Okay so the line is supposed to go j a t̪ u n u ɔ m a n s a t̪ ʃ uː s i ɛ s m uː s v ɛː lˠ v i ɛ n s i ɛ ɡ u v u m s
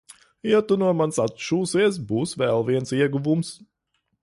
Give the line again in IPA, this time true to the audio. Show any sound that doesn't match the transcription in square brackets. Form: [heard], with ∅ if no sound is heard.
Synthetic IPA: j a t̪ u n u ɔ m a n s a t̪ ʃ uː s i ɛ s [b] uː s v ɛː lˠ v i ɛ n s i ɛ ɡ u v u m s